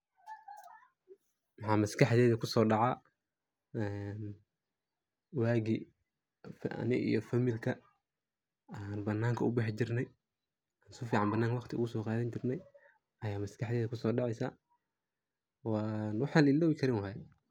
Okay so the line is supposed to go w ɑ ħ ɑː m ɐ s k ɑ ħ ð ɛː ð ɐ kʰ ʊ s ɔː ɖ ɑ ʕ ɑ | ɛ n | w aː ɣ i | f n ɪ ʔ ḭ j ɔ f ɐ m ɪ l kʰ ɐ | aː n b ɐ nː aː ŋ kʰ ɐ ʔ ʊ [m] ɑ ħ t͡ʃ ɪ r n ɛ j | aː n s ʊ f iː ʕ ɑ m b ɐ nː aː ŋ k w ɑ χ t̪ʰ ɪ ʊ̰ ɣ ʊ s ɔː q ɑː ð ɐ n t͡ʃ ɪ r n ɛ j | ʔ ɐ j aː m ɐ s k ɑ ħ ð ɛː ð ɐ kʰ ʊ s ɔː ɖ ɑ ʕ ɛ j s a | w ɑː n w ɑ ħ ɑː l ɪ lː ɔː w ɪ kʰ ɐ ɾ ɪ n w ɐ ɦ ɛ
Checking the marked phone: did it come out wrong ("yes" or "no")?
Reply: yes